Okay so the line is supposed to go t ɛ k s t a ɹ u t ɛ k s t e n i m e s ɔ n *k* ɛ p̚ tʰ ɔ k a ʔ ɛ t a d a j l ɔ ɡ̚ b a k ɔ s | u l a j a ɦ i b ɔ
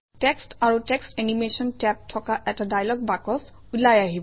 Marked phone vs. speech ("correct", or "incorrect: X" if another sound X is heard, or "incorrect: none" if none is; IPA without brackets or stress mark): incorrect: t